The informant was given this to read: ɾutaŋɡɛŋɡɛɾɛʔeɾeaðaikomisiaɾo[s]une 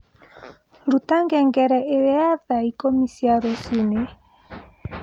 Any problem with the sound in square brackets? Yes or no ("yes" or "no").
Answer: no